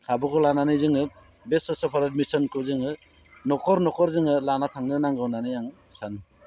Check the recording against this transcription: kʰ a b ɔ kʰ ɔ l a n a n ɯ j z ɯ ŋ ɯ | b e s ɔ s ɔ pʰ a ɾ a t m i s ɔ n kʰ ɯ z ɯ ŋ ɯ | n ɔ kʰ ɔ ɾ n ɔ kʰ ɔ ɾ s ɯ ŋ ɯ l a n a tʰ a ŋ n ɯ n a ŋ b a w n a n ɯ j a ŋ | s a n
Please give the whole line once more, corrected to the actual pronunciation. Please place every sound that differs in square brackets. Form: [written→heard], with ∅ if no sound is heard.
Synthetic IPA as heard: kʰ a b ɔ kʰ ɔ l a n a n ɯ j z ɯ ŋ ɯ | b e s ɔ s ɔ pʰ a ɾ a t m i s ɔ n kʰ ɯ z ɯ ŋ ɯ | n ɔ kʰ ɔ ɾ n ɔ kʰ ɔ ɾ [s→z] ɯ ŋ ɯ l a n a tʰ a ŋ n ɯ n a ŋ [b→ɡ] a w n a n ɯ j a ŋ | s a n